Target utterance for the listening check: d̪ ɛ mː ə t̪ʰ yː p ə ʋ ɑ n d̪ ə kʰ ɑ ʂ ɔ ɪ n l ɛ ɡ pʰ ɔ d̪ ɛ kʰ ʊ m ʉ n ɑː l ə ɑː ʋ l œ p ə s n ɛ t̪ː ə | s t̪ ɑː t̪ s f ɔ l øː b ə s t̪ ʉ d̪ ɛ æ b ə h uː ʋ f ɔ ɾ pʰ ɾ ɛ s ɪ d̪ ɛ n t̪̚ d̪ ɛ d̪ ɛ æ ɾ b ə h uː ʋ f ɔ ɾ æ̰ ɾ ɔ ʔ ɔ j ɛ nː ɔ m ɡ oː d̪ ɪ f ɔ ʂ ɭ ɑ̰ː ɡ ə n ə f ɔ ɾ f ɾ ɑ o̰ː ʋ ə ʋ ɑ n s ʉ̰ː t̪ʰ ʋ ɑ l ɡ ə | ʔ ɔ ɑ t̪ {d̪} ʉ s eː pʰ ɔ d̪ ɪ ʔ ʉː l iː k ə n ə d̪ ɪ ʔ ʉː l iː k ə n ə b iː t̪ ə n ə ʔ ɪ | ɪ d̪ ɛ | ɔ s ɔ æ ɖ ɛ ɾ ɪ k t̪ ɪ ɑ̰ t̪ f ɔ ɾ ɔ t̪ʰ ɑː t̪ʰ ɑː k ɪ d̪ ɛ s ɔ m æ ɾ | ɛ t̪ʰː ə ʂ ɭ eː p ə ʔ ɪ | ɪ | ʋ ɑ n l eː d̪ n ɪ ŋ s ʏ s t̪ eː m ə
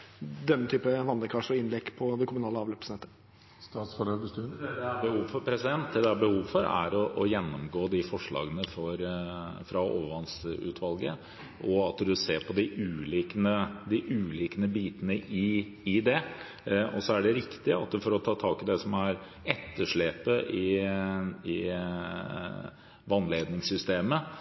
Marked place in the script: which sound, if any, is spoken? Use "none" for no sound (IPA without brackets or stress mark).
d̪